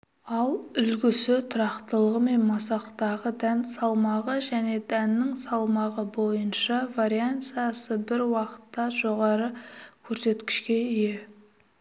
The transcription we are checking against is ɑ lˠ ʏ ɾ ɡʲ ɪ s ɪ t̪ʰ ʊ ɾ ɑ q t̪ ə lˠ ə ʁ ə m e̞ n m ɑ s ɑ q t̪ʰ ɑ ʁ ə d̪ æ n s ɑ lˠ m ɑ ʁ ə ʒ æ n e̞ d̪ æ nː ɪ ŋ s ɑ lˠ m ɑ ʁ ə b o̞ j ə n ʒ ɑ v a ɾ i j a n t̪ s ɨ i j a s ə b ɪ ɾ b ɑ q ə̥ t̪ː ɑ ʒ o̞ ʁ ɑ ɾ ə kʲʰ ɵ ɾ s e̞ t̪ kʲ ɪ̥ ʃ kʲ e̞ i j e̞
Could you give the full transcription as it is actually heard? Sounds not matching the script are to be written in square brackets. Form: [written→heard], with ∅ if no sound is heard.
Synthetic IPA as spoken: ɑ lˠ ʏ [ɾ→l] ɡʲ ɪ s ɪ t̪ʰ ʊ ɾ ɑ q t̪ ə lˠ ə ʁ ə m e̞ n m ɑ s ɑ q [t̪ʰ→t̪] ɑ ʁ ə d̪ æ n s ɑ lˠ m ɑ ʁ ə ʒ æ n e̞ d̪ æ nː ɪ ŋ s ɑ lˠ m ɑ ʁ ə b o̞ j ə n [ʒ→ʃ] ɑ v a ɾ i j a n t̪ s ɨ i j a s ə b ɪ ɾ [b→w] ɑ q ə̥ t̪ː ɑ ʒ o̞ ʁ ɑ ɾ ə kʲʰ ɵ ɾ s e̞ t̪ kʲ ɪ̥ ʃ kʲ e̞ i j e̞